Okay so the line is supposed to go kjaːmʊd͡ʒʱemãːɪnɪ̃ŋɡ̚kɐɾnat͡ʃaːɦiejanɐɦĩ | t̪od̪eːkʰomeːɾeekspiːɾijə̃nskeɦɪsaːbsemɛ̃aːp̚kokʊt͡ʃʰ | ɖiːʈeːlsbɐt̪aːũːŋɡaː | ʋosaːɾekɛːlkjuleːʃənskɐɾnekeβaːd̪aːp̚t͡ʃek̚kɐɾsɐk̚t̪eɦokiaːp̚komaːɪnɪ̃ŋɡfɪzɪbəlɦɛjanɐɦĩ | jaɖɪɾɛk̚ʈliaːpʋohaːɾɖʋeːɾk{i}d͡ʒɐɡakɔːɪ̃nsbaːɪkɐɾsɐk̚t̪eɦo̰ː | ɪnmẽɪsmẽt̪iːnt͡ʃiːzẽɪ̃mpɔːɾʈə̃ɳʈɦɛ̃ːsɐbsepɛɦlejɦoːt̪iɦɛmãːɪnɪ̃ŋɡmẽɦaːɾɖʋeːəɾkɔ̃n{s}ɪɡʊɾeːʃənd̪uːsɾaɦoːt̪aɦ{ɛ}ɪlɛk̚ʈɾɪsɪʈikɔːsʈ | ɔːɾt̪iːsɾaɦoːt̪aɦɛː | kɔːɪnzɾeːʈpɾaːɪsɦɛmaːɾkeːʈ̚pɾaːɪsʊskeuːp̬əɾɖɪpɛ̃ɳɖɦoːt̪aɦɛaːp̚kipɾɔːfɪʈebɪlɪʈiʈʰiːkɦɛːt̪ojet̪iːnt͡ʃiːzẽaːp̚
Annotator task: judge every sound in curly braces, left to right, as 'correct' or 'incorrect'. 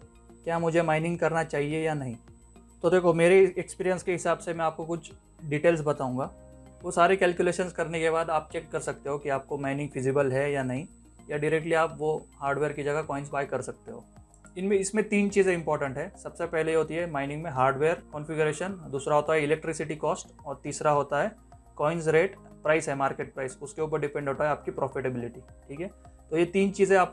correct, incorrect, correct

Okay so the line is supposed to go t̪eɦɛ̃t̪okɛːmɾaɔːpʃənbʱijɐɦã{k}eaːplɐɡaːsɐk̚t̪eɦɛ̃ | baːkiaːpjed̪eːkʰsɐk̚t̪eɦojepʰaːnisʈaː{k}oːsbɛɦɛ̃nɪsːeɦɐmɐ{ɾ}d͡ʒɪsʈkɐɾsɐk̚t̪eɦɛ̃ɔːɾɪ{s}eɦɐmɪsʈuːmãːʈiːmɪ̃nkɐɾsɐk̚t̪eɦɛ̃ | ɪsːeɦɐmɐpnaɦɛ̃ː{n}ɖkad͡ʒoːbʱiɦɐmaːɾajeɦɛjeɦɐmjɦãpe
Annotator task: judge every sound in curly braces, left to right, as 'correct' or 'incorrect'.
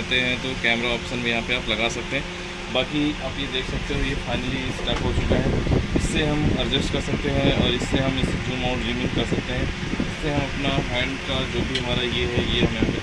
incorrect, correct, correct, incorrect, incorrect

